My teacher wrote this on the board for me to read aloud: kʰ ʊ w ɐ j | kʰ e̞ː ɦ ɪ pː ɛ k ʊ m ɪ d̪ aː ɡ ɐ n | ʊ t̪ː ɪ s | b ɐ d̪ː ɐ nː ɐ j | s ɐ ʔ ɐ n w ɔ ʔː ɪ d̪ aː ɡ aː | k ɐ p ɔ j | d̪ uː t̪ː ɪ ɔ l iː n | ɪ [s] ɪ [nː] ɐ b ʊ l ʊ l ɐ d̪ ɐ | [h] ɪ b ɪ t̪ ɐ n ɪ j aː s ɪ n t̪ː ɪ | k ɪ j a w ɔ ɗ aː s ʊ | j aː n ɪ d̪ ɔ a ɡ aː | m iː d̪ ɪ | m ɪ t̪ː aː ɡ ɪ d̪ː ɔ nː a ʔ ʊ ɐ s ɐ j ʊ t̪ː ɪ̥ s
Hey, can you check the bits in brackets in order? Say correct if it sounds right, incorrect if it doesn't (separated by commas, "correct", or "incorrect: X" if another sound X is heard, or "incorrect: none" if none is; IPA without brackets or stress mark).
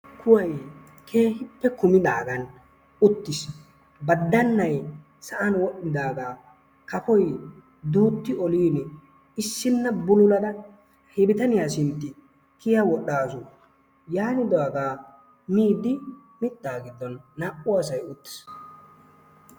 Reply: incorrect: sː, correct, correct